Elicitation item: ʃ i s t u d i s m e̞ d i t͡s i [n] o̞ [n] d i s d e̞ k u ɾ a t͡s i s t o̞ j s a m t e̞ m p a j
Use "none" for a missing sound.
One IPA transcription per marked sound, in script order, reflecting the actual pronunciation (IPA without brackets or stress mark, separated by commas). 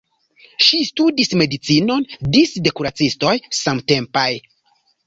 n, n